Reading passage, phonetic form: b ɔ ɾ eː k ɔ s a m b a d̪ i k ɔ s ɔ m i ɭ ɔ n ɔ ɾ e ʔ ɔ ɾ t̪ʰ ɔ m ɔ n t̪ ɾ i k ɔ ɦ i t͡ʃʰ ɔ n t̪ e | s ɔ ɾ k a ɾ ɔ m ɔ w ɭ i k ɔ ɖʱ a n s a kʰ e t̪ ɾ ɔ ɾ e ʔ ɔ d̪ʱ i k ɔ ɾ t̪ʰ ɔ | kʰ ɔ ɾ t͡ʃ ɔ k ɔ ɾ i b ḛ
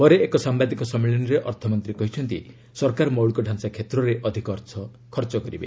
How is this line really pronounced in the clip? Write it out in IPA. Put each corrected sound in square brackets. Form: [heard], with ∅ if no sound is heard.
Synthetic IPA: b ɔ ɾ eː k ɔ s a m b a d̪ i k ɔ s ɔ m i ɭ ɔ n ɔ ɾ e ʔ ɔ ɾ t̪ʰ ɔ m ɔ n t̪ ɾ i k ɔ ɦ i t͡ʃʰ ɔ n t̪ [i] | s ɔ ɾ k a ɾ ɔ m ɔ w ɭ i k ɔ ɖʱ a n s a kʰ e t̪ ɾ ɔ ɾ e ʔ ɔ d̪ʱ i k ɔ ɾ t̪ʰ ɔ | kʰ ɔ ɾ t͡ʃ ɔ k ɔ ɾ i b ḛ

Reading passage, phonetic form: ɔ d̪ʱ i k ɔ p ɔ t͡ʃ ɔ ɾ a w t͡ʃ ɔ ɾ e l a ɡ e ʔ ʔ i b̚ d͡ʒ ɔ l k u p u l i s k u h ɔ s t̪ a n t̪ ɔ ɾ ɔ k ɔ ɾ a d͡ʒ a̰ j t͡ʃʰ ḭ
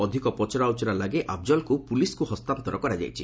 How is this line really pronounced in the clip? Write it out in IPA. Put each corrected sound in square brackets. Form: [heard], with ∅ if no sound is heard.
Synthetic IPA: ɔ d̪ʱ i k ɔ p ɔ t͡ʃ ɔ ɾ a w t͡ʃ ɔ ɾ [a] l a ɡ e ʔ ʔ [a] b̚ d͡ʒ ɔ l k u p u l i s k u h ɔ s t̪ a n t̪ ɔ ɾ ɔ k ɔ ɾ a d͡ʒ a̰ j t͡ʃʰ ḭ

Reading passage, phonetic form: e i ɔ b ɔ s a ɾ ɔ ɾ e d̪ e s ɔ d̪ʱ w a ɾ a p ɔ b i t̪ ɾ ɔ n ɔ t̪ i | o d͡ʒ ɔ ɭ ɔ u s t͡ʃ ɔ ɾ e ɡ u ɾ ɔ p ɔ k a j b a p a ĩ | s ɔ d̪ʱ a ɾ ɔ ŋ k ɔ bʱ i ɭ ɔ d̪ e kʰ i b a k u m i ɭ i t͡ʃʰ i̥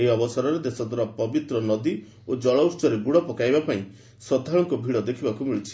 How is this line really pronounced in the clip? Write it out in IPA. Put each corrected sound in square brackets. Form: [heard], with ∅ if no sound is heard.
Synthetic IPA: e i ɔ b ɔ s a ɾ ɔ ɾ e d̪ e s ɔ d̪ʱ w a ɾ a p ɔ b i t̪ ɾ ɔ n ɔ [d̪] i | o d͡ʒ ɔ ɭ ɔ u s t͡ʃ ɔ ɾ e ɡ u [ɽ] ɔ p ɔ k a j b a p a ĩ | s ɔ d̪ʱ a [ɭ] ɔ ŋ k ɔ bʱ i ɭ ɔ d̪ e kʰ i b a k u m i ɭ i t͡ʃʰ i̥

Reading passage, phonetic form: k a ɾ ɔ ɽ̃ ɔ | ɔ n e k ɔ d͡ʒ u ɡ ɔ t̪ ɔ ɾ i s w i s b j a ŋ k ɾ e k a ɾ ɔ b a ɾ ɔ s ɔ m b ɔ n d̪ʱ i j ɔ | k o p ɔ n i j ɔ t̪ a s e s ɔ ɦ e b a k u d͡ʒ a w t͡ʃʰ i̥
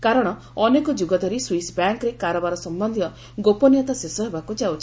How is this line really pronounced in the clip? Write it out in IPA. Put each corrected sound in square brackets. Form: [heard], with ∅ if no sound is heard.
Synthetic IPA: k a ɾ ɔ ɽ̃ ɔ | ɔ n e k ɔ d͡ʒ u ɡ ɔ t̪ ɔ ɾ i s w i s b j a ŋ k ɾ e k a ɾ ɔ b a ɾ ɔ s ɔ m b ɔ n d̪ʱ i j ɔ | [ɡ] o p ɔ n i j ɔ t̪ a s e s ɔ ɦ e b a k u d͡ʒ a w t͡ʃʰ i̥

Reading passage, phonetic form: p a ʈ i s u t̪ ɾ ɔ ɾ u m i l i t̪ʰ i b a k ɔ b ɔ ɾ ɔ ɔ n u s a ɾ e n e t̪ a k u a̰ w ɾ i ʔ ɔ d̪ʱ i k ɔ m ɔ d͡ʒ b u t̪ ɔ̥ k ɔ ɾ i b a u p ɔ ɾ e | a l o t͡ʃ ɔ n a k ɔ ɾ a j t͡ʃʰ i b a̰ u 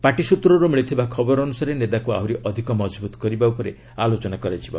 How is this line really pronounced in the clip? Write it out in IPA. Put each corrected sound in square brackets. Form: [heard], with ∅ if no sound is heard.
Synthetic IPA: p a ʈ i s u t̪ ɾ ɔ ɾ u m i [ɭ] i t̪ʰ i b a [kʰ] ɔ b ɔ ɾ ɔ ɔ n u s a ɾ e n e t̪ a k u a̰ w ɾ i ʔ ɔ d̪ʱ i k ɔ m ɔ d͡ʒ b u t̪ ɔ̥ k ɔ ɾ i b a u p ɔ ɾ e | a l o t͡ʃ ɔ n a k ɔ ɾ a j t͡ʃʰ i b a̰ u

